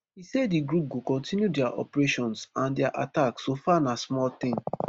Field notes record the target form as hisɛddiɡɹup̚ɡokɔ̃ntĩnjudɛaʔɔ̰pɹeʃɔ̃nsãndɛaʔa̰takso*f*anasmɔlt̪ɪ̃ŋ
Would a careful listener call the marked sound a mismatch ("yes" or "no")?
no